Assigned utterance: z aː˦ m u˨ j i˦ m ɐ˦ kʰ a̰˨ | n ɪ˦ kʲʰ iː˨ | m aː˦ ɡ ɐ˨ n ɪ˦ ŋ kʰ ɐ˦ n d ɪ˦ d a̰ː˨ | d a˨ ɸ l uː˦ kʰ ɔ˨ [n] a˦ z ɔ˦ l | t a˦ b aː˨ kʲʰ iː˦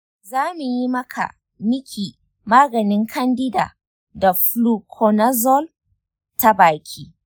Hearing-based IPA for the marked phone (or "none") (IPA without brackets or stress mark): n